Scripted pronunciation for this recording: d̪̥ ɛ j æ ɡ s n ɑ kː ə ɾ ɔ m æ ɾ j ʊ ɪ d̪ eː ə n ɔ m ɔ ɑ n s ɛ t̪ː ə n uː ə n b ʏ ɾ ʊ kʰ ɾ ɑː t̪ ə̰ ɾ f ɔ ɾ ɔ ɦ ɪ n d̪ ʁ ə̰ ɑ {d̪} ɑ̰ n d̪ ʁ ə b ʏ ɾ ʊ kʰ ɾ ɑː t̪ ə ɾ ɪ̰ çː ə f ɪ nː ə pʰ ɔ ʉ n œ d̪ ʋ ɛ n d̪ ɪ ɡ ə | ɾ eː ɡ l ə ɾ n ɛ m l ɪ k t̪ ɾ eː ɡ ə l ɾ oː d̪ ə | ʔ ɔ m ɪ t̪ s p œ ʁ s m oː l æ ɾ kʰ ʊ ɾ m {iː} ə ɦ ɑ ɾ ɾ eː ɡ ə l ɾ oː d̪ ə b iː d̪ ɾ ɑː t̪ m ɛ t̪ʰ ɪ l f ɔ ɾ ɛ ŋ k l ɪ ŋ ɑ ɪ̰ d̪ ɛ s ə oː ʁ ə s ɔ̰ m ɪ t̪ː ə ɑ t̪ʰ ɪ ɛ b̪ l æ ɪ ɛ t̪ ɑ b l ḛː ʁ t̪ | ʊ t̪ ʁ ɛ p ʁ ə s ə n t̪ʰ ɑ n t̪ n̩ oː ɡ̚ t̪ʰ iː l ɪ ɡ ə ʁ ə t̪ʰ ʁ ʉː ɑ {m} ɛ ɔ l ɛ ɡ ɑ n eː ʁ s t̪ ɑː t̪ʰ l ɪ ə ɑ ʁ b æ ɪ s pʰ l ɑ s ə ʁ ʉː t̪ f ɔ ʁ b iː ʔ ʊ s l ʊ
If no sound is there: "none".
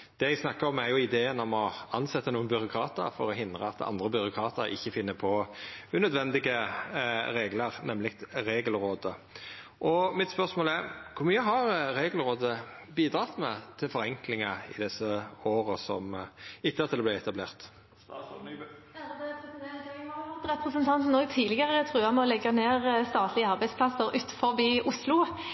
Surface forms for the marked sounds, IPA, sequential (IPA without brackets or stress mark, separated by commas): t̪, yː, m